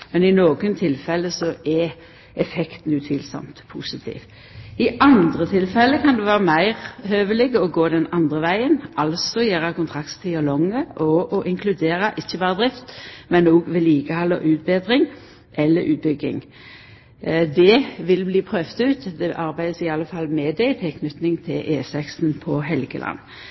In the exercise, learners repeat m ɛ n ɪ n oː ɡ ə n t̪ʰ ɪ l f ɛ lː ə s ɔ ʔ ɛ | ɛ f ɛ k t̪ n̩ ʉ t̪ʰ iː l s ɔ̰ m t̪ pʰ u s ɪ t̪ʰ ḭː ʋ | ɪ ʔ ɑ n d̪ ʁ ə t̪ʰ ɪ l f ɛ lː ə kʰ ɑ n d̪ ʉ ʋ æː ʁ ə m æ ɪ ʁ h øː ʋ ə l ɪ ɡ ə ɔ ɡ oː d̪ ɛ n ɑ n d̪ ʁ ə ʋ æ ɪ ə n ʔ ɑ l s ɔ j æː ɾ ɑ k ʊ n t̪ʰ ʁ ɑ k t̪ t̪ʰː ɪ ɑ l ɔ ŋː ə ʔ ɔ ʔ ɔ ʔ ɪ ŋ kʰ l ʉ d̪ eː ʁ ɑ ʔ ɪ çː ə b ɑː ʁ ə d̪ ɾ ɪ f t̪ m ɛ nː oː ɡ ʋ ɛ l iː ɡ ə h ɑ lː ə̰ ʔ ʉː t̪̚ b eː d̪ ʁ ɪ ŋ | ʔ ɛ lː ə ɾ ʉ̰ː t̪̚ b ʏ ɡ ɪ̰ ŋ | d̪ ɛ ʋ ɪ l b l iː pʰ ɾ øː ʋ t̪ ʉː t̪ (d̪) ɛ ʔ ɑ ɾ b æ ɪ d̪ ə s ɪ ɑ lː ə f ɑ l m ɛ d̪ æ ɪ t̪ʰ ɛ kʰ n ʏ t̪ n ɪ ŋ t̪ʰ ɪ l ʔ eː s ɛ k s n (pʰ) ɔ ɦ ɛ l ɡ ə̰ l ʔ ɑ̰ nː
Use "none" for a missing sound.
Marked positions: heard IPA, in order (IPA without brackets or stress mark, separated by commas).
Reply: d̪, pʰ